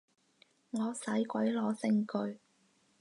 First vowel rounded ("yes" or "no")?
yes